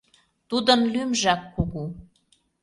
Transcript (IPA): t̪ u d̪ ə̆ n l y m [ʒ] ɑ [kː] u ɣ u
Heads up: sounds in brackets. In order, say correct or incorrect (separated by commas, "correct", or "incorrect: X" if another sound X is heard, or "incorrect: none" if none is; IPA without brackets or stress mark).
correct, correct